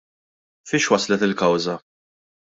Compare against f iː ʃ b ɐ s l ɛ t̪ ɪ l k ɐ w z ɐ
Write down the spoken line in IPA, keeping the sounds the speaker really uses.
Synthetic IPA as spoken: f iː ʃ w ɐ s l ɛ t̪ ɪ l k ɐ w z ɐ